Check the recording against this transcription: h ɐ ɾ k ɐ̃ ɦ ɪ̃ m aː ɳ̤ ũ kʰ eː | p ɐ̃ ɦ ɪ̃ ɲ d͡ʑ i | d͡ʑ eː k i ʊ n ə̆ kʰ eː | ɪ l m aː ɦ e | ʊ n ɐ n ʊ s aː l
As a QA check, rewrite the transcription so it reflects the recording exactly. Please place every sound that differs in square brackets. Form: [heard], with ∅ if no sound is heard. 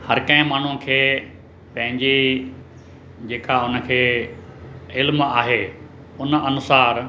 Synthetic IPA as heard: h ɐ ɾ k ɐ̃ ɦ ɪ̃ m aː ɳ̤ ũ kʰ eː | p ɐ̃ ɦ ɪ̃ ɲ d͡ʑ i | d͡ʑ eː k [a] ʊ n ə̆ kʰ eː | ɪ l m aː ɦ e | ʊ n ɐ n ʊ s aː [ɾ]